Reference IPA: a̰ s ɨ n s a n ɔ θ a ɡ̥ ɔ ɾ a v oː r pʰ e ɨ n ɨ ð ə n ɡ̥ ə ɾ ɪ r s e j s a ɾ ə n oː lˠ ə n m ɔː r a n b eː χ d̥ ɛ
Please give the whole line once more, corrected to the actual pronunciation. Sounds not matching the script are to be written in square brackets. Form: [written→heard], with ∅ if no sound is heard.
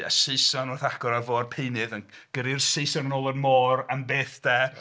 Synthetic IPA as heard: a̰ s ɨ [n→∅] s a n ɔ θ a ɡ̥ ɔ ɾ a v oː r pʰ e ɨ n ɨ ð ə n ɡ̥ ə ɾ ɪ r s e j s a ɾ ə n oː lˠ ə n m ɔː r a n b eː [χ→θ] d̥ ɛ